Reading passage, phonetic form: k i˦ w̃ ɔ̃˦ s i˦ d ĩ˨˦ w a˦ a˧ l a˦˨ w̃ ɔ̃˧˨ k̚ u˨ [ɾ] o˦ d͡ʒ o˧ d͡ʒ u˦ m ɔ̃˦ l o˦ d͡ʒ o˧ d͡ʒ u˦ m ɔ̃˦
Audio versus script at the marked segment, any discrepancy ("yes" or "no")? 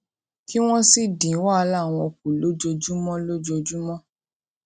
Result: yes